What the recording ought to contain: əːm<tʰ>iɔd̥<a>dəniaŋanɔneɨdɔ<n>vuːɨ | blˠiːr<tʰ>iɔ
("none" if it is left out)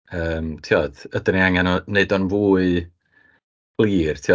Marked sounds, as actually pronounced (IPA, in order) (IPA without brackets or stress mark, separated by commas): tʰ, ə, n, tʰ